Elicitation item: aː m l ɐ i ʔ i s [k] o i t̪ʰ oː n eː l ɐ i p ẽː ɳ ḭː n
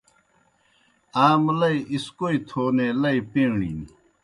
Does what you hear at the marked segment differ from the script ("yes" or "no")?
no